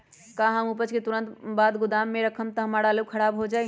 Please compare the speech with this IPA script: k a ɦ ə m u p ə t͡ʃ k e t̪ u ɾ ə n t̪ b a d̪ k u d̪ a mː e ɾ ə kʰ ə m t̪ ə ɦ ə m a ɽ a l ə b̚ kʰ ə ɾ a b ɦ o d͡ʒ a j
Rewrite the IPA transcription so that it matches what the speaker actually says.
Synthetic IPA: k a ɦ ə m u p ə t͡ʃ k e t̪ u ɾ ə n t̪ b a d̪ ɡ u d̪ a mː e ɾ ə kʰ ə m t̪ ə ɦ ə m a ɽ a l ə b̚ kʰ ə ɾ a b ɦ o d͡ʒ a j